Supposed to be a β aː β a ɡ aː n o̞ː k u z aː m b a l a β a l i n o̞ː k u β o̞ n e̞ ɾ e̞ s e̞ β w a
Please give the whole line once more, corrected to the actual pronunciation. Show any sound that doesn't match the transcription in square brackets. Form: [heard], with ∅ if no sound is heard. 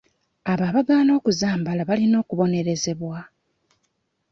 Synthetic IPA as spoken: a β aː β a ɡ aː n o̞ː k u z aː m b a l a β a l i n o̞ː k u β o̞ n e̞ ɾ e̞ [z] e̞ β w a